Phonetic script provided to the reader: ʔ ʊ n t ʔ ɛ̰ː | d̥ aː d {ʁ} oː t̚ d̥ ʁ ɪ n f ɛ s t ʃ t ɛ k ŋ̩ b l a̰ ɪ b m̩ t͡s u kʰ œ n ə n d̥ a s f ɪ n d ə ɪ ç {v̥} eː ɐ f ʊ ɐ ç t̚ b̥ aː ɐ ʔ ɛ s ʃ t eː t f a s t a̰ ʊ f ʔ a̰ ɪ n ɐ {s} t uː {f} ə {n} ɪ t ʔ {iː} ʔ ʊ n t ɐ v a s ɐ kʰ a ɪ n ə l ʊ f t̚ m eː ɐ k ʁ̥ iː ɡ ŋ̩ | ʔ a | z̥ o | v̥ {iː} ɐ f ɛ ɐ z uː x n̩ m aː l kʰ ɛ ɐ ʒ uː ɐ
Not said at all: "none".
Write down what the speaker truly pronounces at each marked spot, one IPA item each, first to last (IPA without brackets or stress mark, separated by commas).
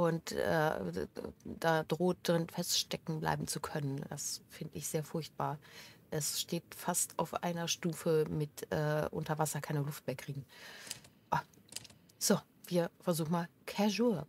ʁ, z̥, ʃ, f, m, ɛː, iː